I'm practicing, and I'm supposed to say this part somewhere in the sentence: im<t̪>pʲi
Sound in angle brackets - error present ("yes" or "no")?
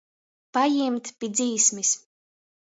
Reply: no